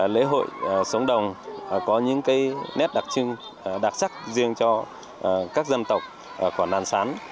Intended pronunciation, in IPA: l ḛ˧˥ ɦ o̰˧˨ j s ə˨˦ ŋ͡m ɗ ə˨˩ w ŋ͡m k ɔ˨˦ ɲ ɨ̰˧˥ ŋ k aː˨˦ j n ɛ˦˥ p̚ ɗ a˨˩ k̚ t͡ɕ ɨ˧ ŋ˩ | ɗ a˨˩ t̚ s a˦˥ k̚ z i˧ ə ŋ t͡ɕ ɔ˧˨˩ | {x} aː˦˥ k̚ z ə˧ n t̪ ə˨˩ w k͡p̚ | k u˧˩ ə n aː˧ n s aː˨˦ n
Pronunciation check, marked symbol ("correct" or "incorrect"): incorrect